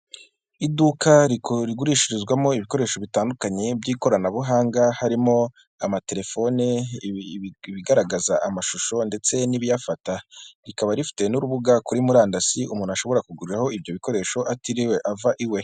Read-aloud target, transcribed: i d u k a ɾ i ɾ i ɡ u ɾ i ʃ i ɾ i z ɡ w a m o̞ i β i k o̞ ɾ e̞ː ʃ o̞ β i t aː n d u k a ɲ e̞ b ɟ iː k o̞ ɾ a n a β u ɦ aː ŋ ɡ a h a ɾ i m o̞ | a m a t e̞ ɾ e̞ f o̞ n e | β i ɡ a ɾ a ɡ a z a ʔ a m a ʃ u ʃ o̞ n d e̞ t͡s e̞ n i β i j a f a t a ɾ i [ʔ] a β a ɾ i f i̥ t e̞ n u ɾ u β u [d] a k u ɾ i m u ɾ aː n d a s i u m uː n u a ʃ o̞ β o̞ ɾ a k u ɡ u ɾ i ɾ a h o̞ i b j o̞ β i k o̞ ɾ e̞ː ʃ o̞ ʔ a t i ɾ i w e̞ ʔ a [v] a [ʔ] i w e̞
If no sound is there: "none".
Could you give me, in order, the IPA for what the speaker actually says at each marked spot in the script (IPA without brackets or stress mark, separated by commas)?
k, ɡ, v, ʔ